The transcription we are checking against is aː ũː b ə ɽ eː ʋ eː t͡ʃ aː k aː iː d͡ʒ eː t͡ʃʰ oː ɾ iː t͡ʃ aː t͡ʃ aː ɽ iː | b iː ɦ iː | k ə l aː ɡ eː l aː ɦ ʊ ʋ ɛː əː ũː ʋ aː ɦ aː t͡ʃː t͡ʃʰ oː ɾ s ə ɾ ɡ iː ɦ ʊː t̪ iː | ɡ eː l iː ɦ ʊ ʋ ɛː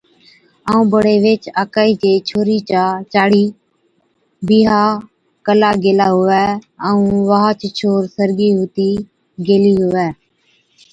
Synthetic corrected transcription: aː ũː b ə ɽ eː ʋ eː t͡ʃ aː k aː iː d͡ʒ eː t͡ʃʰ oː ɾ iː t͡ʃ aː t͡ʃ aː ɽ iː | b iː ɦ aː | k ə l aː ɡ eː l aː ɦ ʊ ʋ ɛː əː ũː ʋ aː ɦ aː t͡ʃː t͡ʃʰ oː ɾ s ə ɾ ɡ iː ɦ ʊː t̪ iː | ɡ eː l iː ɦ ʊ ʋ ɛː